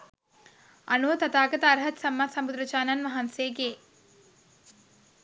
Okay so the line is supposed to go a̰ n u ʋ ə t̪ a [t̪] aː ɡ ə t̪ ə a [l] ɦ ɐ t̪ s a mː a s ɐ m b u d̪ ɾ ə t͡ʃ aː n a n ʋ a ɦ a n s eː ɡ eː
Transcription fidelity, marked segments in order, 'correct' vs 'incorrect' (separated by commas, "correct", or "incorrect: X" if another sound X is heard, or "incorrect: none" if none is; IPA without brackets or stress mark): correct, incorrect: ɾ